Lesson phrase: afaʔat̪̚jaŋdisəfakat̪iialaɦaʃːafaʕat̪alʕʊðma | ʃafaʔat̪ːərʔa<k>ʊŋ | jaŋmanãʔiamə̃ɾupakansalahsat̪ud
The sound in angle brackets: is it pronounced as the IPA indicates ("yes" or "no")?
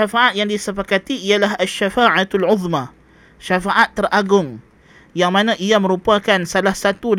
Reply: no